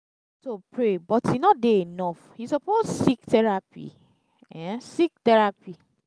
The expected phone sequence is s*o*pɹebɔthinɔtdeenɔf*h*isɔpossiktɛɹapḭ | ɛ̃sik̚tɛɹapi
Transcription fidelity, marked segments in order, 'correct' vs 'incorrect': correct, correct

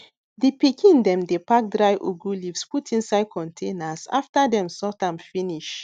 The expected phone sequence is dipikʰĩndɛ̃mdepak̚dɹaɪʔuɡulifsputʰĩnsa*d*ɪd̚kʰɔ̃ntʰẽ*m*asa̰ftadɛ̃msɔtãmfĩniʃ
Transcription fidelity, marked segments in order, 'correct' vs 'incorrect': incorrect: none, incorrect: n

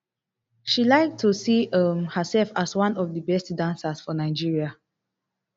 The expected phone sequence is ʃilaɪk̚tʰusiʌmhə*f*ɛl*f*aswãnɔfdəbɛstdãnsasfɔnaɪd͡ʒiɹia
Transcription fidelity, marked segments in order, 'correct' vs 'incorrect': incorrect: s, correct

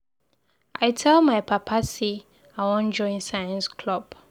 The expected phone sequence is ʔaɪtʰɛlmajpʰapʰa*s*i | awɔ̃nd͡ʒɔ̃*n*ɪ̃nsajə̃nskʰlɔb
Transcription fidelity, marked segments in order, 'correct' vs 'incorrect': correct, incorrect: none

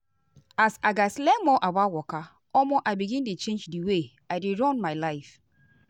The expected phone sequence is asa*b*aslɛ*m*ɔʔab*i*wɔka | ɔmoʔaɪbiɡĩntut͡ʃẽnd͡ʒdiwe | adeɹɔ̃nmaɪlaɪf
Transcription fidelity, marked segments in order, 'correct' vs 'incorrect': incorrect: ɡ, correct, incorrect: a

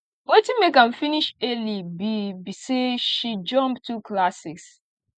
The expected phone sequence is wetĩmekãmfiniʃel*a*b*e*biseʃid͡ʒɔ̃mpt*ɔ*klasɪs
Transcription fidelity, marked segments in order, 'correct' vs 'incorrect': incorrect: i, incorrect: i, incorrect: u

